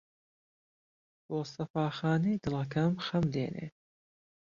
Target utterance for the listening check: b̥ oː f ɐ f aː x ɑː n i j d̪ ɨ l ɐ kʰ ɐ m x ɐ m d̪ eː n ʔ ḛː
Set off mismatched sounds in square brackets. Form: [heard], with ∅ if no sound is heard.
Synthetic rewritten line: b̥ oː [s] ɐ f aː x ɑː n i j d̪ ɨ l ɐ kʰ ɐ m x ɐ m d̪ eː n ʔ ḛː